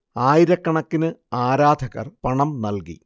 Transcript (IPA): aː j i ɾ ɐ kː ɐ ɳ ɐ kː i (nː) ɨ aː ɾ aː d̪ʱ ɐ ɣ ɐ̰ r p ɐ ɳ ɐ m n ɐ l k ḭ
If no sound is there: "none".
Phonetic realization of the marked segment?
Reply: n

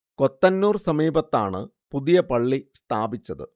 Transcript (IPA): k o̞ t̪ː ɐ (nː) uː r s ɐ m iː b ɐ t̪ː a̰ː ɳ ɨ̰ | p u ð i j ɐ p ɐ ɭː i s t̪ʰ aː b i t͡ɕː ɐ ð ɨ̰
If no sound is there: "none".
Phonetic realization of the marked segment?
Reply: nː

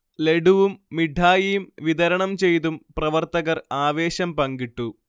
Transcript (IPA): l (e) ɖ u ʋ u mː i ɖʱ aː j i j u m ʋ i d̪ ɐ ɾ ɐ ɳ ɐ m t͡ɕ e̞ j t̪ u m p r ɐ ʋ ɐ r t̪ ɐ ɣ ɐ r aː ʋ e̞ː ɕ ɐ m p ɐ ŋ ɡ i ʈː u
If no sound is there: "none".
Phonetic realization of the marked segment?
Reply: e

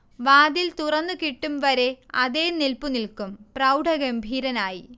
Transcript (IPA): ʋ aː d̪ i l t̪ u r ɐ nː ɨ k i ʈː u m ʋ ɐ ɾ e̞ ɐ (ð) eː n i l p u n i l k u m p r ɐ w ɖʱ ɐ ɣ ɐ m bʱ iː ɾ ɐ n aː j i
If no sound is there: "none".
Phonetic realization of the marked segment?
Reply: ð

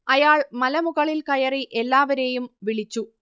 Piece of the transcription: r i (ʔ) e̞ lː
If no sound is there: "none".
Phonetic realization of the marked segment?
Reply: ʔ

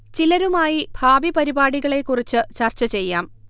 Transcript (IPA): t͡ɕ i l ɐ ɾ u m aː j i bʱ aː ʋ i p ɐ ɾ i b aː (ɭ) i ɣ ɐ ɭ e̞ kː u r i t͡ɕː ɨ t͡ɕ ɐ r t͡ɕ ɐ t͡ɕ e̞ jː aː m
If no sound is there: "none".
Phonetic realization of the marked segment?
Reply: ɽ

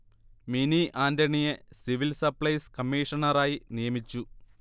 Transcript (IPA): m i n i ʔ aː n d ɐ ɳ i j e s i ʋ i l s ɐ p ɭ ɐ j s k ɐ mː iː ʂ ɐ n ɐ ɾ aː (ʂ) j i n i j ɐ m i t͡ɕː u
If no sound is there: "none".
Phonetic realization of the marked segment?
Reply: none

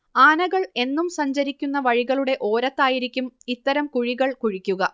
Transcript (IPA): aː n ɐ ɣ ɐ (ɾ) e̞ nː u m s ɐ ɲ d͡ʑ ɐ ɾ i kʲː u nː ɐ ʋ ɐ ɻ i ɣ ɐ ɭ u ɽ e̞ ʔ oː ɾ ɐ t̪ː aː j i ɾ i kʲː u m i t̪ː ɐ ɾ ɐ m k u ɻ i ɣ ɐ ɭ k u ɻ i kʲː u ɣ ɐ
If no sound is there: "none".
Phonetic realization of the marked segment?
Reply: ɭ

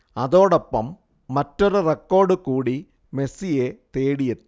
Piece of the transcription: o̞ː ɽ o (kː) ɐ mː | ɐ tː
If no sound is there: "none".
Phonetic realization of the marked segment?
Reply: pː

